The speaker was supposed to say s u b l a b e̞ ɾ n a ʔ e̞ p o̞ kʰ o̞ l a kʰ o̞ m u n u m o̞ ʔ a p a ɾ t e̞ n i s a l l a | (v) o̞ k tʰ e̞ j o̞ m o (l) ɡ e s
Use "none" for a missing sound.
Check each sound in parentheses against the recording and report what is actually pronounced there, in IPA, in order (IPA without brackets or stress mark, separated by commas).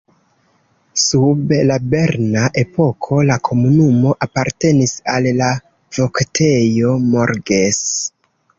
v, ɾ